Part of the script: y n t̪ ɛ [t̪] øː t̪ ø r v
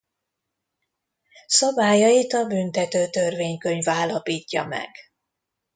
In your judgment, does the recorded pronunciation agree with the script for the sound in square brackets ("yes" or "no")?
yes